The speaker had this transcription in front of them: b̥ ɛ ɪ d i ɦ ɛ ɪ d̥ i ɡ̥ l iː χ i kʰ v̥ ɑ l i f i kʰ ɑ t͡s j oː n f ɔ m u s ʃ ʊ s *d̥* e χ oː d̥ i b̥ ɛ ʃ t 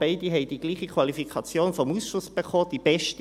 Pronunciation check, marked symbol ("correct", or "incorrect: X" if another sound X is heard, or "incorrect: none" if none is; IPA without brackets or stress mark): incorrect: b̥